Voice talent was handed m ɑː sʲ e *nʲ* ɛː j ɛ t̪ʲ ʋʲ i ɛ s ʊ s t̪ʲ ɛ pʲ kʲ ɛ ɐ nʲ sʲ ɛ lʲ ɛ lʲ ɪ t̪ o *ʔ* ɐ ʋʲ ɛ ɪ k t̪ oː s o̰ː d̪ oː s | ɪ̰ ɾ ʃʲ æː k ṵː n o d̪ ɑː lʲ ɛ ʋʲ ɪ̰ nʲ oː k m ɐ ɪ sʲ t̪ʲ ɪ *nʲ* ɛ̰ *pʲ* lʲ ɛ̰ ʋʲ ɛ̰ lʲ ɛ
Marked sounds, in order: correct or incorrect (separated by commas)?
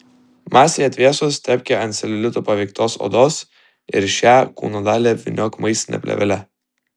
incorrect, incorrect, correct, correct